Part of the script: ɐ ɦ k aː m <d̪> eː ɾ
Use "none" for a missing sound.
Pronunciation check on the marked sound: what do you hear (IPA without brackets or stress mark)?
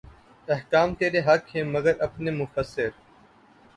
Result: t̪